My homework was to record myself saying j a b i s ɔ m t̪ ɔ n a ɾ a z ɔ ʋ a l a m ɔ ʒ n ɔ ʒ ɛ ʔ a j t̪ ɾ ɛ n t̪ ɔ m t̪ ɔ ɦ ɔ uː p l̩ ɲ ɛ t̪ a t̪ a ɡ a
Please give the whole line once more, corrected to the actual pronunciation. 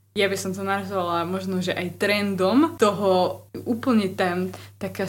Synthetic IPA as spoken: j a b i s ɔ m t̪ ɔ n a ɾ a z ɔ ʋ a l a m ɔ ʒ n ɔ ʒ ɛ ʔ a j t̪ ɾ ɛ n d̪ ɔ m t̪ ɔ ɦ ɔ uː p l̩ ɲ ɛ t̪ a t̪ a k a